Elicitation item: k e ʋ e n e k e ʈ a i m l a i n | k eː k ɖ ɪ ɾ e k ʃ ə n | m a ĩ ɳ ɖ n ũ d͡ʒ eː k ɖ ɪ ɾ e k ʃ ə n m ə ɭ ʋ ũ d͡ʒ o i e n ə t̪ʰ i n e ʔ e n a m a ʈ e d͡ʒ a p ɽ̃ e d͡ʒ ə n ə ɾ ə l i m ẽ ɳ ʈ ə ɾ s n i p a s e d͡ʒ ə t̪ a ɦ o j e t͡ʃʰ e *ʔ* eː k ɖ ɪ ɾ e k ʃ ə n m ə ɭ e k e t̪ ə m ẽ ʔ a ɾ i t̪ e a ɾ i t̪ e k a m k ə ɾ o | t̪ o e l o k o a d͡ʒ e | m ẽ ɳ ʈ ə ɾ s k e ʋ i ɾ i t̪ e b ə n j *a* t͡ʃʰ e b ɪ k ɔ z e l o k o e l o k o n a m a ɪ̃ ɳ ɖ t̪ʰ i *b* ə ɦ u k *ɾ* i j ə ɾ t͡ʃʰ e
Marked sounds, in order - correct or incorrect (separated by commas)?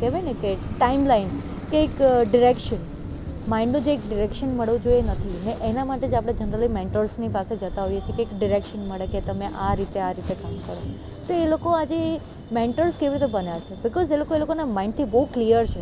incorrect, correct, correct, incorrect